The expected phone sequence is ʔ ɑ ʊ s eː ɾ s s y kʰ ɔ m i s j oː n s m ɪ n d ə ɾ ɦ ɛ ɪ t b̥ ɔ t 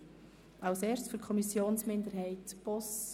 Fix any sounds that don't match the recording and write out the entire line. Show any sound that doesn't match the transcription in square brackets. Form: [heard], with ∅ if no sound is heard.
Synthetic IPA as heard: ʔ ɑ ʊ s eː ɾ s [f] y kʰ ɔ m i s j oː n s m ɪ n d ə ɾ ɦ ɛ ɪ t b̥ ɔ [s]